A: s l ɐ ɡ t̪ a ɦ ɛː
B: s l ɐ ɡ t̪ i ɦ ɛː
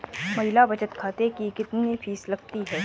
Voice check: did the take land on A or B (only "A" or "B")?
B